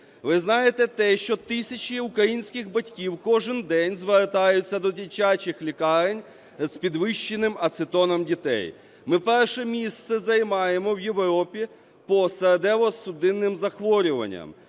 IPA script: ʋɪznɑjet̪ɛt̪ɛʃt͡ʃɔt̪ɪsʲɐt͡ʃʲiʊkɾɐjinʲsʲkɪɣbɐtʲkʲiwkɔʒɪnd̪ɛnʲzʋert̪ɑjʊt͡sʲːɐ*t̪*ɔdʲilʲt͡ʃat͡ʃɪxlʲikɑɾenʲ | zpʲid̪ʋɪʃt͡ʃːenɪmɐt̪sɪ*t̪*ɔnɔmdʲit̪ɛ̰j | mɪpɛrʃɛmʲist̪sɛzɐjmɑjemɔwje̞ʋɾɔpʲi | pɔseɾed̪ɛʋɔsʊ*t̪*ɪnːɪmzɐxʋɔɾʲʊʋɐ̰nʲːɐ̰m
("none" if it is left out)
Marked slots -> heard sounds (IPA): d̪, t̪, d̪

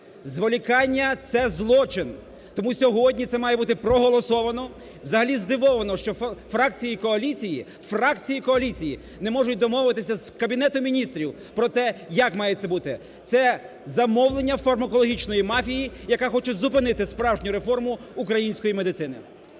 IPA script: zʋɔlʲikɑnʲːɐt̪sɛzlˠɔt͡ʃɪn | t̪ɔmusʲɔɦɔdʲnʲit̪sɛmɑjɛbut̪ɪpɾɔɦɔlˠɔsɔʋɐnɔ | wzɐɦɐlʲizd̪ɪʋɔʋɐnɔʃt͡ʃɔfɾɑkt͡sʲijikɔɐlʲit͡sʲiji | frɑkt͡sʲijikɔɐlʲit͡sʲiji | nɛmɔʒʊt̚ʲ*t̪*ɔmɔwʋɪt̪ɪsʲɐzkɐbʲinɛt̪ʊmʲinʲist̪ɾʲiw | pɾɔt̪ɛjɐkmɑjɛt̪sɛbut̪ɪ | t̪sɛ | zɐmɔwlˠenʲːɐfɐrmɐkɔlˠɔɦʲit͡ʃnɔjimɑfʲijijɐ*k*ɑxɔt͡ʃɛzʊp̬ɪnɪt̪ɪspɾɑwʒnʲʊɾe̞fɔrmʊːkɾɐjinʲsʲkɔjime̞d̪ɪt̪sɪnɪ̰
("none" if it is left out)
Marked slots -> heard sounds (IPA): d̪, k

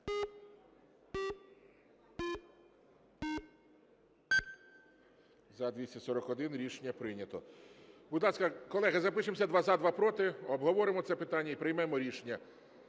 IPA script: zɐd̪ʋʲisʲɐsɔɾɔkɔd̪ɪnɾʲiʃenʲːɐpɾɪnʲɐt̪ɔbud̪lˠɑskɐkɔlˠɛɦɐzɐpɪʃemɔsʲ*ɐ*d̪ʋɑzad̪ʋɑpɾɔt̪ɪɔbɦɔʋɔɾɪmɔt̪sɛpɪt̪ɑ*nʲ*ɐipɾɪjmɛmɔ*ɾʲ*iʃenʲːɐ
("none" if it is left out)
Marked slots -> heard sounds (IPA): ɐ, nʲː, ɾʲ

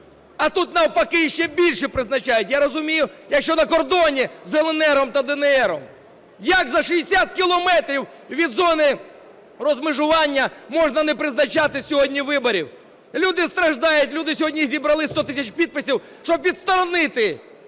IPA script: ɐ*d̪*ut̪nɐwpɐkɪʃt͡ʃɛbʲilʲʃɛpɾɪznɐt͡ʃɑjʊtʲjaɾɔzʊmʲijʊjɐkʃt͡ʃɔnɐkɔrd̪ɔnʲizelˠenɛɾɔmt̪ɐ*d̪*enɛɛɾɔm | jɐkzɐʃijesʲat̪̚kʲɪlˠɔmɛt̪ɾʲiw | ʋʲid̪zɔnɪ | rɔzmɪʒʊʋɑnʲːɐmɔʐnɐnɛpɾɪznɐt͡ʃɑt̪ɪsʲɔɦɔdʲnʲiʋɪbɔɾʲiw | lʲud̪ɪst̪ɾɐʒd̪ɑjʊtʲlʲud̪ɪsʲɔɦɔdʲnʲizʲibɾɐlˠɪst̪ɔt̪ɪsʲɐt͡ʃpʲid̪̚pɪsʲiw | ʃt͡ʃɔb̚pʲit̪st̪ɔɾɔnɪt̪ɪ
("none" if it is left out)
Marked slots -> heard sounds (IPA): t̪, d̪

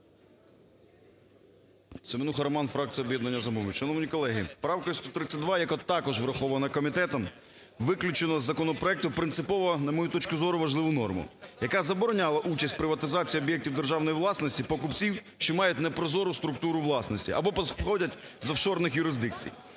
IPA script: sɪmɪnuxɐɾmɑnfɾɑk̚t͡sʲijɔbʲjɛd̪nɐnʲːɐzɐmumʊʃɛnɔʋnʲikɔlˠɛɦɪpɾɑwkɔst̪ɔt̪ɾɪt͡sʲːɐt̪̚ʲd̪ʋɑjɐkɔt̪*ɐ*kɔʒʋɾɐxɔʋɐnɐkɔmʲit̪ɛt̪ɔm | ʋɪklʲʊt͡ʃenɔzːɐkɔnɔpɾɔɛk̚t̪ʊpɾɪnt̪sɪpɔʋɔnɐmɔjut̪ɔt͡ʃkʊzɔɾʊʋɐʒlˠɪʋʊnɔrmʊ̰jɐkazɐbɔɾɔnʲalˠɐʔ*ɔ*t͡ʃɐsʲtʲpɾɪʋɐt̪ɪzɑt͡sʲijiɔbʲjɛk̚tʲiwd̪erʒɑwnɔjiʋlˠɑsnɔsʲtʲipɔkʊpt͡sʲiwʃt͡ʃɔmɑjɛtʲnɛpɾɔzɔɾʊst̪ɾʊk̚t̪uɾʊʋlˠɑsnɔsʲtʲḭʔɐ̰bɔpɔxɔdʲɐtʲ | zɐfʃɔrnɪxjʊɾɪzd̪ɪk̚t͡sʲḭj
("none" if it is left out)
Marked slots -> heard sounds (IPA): ɑ, u

